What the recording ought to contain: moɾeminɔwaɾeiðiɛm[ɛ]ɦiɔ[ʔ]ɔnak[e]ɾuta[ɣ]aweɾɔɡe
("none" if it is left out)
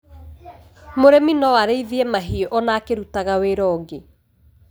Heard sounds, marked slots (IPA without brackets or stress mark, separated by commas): a, ʔ, e, ɣ